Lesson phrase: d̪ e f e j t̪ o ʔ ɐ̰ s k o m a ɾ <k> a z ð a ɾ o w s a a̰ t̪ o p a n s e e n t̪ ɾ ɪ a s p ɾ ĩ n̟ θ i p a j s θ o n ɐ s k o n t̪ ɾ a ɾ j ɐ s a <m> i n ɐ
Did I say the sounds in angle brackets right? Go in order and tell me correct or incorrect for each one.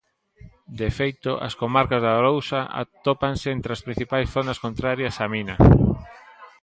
correct, correct

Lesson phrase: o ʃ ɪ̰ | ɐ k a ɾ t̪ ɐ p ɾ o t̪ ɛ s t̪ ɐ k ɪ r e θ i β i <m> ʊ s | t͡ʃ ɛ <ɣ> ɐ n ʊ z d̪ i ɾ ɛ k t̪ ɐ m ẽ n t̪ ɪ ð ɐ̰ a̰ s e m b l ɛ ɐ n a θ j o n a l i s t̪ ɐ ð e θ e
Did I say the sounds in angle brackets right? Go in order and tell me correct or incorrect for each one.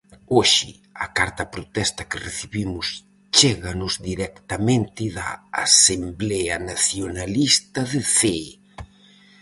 correct, correct

